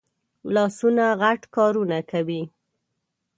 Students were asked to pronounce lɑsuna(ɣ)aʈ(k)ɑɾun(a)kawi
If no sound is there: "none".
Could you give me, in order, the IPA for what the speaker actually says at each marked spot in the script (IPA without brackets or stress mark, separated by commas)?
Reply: ɣ, k, a